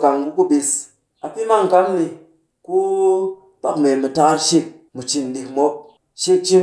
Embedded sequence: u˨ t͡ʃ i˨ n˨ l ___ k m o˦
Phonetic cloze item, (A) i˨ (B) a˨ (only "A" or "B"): A